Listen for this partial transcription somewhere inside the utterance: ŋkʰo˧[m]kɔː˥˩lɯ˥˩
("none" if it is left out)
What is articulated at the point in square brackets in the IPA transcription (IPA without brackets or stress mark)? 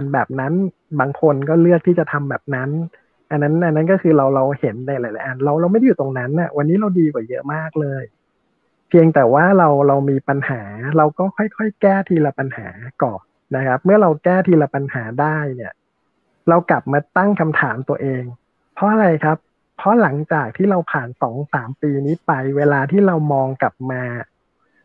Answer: n